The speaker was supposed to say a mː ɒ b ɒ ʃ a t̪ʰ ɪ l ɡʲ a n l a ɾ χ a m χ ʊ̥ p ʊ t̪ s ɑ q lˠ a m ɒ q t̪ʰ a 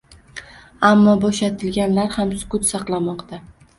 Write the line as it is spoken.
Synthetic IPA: a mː ɒ b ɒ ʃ a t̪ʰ ɪ l ɡʲ a n l a ɾ h a m s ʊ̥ k ʊ t̪ s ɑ q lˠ a m ɒ q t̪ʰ a